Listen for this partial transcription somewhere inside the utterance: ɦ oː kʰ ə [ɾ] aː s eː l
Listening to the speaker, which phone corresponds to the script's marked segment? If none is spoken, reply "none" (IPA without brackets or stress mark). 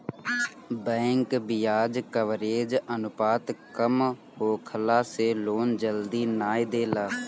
l